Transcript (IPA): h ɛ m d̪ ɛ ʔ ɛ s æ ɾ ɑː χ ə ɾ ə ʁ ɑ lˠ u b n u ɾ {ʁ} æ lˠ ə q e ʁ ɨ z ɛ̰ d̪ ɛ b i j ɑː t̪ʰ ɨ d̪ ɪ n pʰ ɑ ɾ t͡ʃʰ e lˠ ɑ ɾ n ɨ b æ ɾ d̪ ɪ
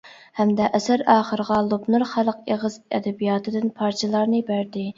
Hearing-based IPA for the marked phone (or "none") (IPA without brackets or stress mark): χ